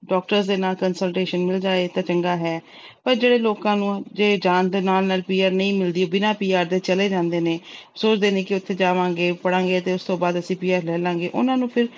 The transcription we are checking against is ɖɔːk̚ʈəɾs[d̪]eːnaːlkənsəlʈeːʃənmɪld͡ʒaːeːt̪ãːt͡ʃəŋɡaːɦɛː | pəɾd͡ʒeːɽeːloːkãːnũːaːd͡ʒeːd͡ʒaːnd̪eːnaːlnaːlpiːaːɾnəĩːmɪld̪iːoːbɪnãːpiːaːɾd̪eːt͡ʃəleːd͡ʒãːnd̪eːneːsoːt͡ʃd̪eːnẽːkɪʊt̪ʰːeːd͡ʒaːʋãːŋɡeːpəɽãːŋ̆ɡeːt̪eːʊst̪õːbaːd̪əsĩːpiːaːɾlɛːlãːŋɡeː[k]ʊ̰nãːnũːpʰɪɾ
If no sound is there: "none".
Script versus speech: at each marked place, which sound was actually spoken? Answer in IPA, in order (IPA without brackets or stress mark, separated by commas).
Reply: d̪, ʔ